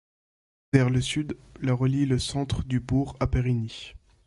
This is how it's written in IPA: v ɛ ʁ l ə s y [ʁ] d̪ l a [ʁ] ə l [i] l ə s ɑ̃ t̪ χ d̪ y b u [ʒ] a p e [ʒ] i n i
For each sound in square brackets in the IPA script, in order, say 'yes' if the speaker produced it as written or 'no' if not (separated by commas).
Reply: no, yes, yes, no, no